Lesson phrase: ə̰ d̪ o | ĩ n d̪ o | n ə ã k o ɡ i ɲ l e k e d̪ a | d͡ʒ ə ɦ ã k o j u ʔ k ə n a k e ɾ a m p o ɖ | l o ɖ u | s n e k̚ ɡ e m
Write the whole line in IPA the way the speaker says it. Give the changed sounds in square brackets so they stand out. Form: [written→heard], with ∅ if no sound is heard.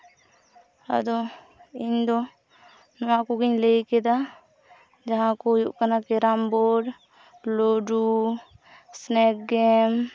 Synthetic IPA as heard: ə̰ d̪ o | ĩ n d̪ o | n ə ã k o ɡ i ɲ l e k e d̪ a | d͡ʒ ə ɦ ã k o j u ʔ k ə n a k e ɾ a m [p→b] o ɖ | l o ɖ u | s n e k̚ ɡ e m